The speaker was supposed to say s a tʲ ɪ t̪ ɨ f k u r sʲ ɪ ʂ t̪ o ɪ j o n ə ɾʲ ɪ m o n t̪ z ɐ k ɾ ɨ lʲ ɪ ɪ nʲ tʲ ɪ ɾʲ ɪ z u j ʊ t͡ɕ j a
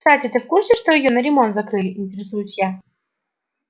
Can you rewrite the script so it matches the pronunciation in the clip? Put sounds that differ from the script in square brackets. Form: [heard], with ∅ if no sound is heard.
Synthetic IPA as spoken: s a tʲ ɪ t̪ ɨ f k u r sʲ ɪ ʂ t̪ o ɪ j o n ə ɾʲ ɪ m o n t̪ z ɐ k ɾ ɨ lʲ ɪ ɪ nʲ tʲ ɪ ɾʲ ɪ [s] u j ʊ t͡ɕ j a